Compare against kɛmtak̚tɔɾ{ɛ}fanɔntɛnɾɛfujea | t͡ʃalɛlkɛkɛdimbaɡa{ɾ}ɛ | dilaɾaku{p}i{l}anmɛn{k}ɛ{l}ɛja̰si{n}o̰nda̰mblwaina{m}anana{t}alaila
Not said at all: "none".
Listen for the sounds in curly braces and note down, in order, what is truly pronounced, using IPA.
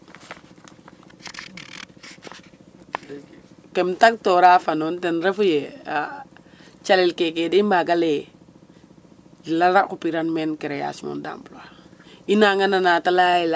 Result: a, l, p, ɾ, k, ɾ, m, ŋ, t

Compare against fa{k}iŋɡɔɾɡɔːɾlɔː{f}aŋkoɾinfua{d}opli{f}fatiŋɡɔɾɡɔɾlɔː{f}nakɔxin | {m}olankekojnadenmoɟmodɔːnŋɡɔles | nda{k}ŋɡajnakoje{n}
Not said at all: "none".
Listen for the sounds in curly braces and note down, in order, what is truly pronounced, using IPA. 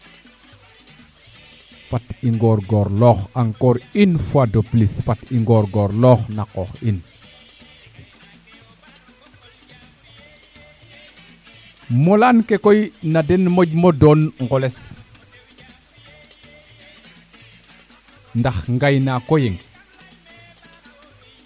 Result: t, x, d, s, x, m, x, ŋ

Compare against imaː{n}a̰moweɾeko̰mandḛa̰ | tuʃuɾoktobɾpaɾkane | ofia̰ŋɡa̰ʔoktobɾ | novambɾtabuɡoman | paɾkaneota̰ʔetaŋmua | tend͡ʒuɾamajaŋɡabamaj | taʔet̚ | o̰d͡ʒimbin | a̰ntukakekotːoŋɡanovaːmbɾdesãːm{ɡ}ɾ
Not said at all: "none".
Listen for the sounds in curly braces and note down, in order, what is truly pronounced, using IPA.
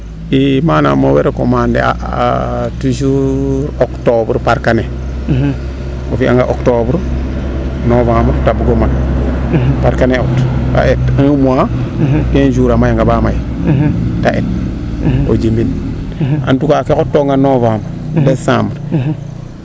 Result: n, b

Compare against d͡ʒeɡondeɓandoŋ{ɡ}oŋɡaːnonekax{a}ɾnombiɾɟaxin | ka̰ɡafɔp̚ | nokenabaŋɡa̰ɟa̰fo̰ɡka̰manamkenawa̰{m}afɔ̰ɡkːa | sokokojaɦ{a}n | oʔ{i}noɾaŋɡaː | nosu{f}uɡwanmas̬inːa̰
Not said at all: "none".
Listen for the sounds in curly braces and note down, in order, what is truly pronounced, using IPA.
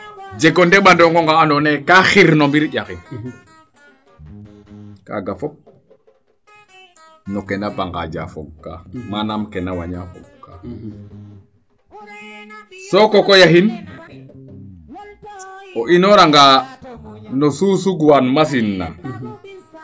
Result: ɡ, i, ɲ, i, i, s

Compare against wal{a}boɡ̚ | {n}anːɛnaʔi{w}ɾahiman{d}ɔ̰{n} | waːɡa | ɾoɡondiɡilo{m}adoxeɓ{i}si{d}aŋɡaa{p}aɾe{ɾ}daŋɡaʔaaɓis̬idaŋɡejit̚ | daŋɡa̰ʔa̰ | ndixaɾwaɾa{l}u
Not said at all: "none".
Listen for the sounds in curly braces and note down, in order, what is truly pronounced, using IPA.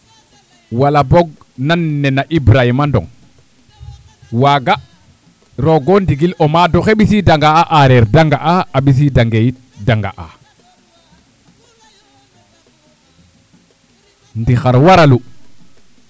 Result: a, n, b, d, ŋ, m, i, d, ʔ, ɾ, l

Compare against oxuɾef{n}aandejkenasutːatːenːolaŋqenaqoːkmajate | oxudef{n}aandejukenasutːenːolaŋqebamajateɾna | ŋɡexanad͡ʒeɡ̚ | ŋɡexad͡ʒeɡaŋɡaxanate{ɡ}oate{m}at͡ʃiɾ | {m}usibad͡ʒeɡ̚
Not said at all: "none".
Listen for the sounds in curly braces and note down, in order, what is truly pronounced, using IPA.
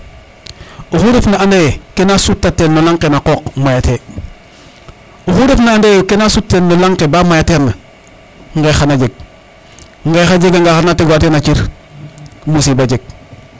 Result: n, n, ɡ, n, m

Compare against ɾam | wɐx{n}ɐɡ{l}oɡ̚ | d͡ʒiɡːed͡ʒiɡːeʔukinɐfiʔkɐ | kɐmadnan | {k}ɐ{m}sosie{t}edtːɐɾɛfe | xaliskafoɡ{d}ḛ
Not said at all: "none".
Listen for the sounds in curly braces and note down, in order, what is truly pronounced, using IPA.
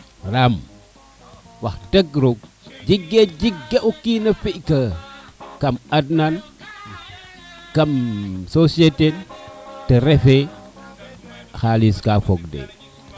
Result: d, ɾ, k, m, t, d

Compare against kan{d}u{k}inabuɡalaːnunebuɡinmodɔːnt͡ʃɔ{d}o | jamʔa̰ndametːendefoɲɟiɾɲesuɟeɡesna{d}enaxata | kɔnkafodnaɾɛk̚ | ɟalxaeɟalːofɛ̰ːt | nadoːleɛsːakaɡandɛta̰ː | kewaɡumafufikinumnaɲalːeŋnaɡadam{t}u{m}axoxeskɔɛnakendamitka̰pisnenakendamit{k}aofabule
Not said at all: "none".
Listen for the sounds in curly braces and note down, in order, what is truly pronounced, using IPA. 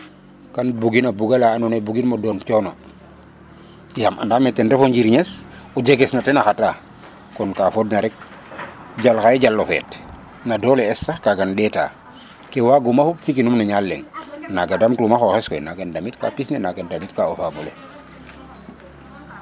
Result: b, ɡ, n, t, t, m, k

